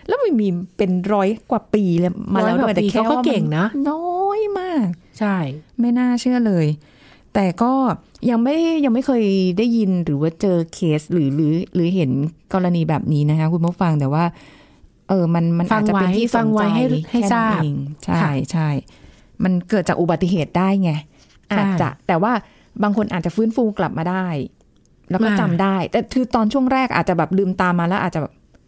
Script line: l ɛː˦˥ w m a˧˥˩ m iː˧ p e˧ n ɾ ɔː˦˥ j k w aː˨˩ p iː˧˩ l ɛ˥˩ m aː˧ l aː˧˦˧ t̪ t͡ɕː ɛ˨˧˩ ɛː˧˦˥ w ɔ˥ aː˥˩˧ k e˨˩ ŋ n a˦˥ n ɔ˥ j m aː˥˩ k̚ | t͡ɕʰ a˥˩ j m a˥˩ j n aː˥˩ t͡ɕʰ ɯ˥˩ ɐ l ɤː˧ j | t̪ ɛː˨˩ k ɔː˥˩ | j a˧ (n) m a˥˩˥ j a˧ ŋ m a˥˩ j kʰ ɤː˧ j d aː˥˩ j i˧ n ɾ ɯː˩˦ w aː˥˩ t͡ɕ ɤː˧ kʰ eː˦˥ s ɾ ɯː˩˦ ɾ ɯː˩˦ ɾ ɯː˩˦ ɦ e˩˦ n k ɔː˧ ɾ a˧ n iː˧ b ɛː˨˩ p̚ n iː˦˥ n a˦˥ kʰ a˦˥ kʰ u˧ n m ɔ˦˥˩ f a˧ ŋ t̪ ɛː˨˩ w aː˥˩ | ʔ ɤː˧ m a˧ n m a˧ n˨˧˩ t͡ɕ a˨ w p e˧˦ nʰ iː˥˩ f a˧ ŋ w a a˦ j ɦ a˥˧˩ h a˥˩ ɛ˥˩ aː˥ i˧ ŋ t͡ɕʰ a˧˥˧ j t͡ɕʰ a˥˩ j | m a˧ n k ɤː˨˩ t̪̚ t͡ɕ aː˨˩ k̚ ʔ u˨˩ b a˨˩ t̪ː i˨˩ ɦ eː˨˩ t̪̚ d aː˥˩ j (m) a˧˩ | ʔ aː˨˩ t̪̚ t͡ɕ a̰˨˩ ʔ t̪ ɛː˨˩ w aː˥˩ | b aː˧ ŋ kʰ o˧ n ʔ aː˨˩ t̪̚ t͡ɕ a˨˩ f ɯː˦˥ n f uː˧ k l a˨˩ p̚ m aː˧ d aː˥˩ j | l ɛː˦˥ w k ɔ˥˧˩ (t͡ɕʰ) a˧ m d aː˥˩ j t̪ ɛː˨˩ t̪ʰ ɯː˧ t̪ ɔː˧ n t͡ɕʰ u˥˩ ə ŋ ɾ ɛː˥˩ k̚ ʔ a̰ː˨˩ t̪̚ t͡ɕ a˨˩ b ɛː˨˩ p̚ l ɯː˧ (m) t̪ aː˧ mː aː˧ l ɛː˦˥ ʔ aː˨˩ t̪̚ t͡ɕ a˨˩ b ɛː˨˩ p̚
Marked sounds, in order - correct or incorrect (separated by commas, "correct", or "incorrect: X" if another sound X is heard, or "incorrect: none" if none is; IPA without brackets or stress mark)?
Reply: incorrect: ŋ, incorrect: ŋ, incorrect: t͡ɕ, correct